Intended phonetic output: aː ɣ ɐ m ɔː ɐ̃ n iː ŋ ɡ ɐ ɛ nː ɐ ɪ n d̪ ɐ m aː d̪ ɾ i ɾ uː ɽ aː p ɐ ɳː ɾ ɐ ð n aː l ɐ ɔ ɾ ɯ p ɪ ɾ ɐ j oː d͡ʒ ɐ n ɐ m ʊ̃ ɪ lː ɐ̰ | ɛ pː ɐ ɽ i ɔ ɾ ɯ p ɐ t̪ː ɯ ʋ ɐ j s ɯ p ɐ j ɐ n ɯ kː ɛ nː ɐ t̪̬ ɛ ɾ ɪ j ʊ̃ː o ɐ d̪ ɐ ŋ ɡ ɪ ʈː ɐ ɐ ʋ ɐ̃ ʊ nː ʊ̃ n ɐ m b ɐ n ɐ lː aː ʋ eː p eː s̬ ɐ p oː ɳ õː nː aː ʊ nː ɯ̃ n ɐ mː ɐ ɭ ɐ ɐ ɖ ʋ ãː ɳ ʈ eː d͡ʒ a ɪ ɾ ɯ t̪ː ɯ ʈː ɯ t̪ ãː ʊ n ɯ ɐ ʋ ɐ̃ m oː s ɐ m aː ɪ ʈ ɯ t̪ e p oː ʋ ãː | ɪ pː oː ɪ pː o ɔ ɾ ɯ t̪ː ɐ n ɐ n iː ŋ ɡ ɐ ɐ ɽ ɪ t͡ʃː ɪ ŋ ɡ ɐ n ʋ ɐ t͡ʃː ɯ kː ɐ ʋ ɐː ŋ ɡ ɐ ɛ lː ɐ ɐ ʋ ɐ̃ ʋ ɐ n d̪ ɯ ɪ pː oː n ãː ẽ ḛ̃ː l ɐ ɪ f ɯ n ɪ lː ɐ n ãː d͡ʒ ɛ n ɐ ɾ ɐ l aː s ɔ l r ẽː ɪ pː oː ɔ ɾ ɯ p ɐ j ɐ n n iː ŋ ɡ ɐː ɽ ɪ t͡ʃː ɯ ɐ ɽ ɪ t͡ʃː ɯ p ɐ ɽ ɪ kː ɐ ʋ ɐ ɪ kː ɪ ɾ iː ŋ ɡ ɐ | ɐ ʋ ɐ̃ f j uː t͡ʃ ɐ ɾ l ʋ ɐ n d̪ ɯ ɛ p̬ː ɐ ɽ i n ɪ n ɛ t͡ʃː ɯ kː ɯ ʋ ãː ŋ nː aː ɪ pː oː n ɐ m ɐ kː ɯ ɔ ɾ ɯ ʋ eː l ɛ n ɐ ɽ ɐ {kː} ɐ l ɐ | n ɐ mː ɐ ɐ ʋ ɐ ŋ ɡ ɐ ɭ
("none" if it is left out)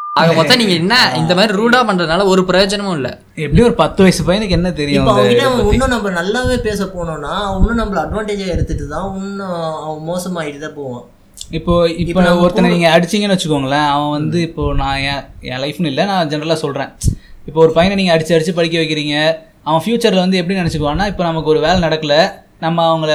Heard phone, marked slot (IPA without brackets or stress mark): kː